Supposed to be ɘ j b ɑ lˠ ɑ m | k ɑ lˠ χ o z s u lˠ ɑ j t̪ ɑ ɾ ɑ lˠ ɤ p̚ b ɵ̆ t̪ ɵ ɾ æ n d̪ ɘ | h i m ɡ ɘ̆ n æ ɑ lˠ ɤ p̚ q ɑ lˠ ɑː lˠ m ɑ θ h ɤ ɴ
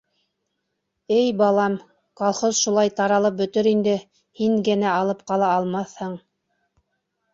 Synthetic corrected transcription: ɘ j b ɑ lˠ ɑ m | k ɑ lˠ χ o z ʃ u lˠ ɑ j t̪ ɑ ɾ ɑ lˠ ɤ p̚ b ɵ̆ t̪ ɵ ɾ i n d̪ ɘ | h i ŋ ɡ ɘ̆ n æ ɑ lˠ ɤ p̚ q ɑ lˠ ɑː lˠ m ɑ θ h ɤ ɴ

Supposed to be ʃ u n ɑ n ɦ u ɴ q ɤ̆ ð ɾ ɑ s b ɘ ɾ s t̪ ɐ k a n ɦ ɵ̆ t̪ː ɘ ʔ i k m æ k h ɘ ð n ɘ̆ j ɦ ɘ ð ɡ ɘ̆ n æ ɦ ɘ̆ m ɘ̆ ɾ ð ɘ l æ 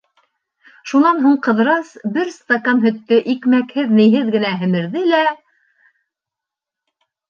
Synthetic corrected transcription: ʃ u n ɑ n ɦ u ɴ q ɤ̆ ð ɾ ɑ s b ɘ ɾ s t̪ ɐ k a n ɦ ɵ̆ t̪ː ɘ ʔ i k m æ k h ɘ ð n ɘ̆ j ɦ ɘ ð ɡ ɘ̆ n æ ɦ ɘ̆ m ɘ̆ ɾ ð ɘ l æ

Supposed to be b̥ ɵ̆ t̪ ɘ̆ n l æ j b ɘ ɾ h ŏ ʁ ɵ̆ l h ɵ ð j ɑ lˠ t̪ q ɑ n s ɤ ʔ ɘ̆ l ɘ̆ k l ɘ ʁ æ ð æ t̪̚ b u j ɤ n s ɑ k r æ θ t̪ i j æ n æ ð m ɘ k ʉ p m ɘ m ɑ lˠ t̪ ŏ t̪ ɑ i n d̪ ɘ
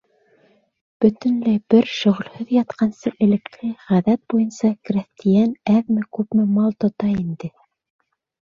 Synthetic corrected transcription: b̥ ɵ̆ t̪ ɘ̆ n l æ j b ɘ ɾ ʃ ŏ ʁ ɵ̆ l h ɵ ð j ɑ t̪ q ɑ n s ɤ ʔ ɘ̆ l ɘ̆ k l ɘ ʁ æ ð æ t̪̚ b u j ɤ n s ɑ k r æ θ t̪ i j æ n æ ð m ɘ k ʉ p m ɘ m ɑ lˠ t̪ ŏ t̪ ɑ i n d̪ ɘ

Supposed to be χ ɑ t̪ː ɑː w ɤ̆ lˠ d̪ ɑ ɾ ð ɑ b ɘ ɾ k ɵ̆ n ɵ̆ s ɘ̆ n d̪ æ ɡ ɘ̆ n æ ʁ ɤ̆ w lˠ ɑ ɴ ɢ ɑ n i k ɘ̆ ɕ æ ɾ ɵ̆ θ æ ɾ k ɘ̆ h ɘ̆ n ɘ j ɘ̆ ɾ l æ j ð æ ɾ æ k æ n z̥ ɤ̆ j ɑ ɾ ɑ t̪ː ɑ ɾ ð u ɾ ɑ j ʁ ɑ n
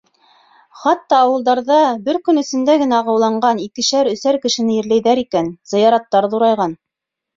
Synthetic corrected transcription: χ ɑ t̪ː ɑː w ɤ̆ lˠ d̪ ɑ ɾ ð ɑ b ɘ ɾ k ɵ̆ n ɵ̆ s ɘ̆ n d̪ æ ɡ ɘ̆ n æ ʁ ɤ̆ w lˠ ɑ ɴ ɢ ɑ n i k ɘ̆ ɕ æ ɾ ɵ̆ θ æ ɾ k ɘ̆ ʃ ɘ̆ n ɘ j ɘ̆ ɾ l æ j ð æ ɾ i k æ n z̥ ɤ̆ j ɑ ɾ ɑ t̪ː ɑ ɾ ð u ɾ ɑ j ʁ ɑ n

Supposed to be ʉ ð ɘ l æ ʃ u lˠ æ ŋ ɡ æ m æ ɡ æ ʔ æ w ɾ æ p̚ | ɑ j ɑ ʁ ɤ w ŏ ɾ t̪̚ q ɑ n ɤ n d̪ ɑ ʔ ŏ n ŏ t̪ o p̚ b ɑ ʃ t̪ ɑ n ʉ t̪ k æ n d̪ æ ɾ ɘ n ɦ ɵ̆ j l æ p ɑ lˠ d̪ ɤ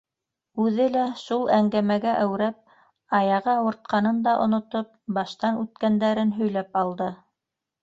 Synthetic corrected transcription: ʉ ð ɘ l æ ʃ u lˠ æ ŋ ɡ æ m æ ɡ æ ʔ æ w ɾ æ p̚ | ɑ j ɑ ʁ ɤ w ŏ ɾ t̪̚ q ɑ n ɤ n d̪ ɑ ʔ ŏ n ŏ t̪ o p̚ b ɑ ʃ t̪ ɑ n ʉ t̪ k æ n d̪ æ ɾ ɘ n ɦ ɵ̆ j l æ p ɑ lˠ d̪ ɤ

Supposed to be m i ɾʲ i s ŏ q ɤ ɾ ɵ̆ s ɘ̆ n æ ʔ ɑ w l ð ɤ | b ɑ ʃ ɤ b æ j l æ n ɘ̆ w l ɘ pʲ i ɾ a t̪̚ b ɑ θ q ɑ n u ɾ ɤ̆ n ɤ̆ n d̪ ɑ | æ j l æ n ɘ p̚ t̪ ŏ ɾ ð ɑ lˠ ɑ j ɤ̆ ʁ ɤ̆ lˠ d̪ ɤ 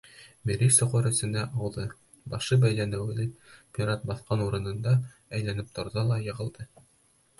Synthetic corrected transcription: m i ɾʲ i s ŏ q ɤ ɾ ɵ̆ s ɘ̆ n æ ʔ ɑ w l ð ɤ | b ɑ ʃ ɤ b æ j l æ n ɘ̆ w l ɘ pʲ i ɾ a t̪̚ b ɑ θ q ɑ n u ɾ ɤ̆ n ɤ̆ n d̪ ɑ | æ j l æ n ɘ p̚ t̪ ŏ ɾ ð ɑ lˠ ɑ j ɤ̆ ʁ ɤ̆ lˠ d̪ ɤ

